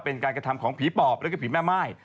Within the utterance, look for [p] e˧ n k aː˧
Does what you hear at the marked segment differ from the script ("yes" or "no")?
no